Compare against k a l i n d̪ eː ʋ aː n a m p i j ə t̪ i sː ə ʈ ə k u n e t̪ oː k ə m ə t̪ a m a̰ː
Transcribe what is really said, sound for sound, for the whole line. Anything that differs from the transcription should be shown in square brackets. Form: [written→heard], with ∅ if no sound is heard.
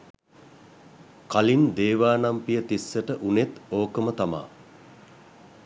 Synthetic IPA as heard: k a l i n d̪ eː ʋ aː n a m p i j ə t̪ i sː ə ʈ ə [k→ʔ] u n e t̪ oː k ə m ə t̪ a m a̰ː